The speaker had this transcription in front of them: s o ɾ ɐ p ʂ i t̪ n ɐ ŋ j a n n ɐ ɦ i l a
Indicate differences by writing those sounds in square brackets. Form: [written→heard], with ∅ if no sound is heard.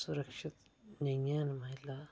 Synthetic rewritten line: s [o→u] ɾ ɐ [p→k] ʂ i t̪ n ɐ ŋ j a n [n→m] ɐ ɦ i l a